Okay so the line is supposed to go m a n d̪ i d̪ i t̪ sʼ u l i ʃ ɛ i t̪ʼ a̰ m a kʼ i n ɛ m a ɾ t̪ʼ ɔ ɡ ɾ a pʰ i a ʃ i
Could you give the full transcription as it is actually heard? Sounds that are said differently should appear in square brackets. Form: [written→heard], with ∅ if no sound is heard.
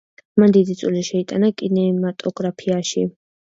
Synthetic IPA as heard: m a n d̪ i d̪ i t̪ sʼ u l i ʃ ɛ i t̪ʼ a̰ [m→n] a kʼ i n ɛ m a [ɾ→∅] t̪ʼ ɔ ɡ ɾ a pʰ i a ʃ i